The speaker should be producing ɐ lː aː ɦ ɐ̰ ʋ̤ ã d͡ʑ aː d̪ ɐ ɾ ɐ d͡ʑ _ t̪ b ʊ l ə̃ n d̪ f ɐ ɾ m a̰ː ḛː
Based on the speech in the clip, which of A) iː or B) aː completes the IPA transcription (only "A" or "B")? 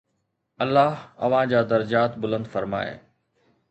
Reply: B